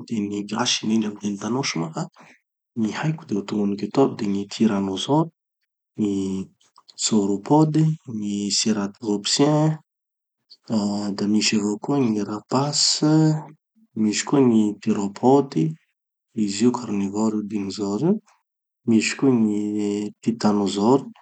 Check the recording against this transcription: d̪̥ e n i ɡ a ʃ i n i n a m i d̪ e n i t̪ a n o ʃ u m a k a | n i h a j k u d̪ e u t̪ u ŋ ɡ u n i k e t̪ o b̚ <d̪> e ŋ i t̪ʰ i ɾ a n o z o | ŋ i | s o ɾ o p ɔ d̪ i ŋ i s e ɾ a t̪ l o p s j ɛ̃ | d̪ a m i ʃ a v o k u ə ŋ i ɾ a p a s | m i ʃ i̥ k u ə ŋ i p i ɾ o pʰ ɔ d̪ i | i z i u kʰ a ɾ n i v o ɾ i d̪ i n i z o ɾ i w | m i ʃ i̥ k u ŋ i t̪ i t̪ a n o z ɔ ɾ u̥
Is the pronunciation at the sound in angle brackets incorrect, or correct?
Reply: correct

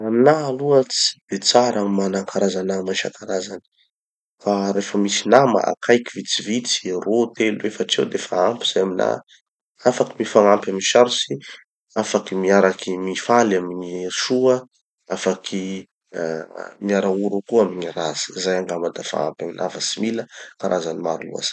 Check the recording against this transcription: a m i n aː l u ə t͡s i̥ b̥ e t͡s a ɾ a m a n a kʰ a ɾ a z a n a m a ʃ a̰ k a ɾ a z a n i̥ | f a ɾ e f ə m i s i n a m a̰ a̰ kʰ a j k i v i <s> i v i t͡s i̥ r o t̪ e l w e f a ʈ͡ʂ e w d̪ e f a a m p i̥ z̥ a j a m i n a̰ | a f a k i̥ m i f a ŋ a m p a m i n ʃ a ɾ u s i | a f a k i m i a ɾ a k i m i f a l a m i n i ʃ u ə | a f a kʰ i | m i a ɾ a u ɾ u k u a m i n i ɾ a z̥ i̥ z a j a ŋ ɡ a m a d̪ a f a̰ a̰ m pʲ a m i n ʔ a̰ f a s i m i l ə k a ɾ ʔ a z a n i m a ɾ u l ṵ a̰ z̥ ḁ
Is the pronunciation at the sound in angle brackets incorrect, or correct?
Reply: incorrect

